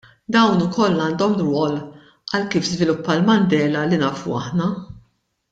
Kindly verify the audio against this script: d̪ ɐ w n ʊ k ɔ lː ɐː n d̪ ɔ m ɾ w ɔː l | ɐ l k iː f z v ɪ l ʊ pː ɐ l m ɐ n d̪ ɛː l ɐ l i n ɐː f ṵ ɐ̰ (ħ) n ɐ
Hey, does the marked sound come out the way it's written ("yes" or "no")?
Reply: yes